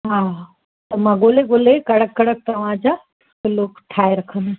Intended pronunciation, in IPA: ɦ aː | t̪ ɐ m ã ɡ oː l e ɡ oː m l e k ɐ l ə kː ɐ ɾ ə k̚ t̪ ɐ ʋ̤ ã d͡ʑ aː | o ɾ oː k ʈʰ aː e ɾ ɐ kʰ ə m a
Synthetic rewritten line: ɦ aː | t̪ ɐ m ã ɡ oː l e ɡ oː l e k ɐ ɽ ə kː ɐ ɽ ə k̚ t̪ ɐ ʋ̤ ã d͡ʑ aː | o l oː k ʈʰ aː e ɾ ɐ kʰ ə n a